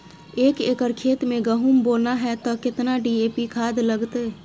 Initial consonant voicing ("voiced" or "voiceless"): voiceless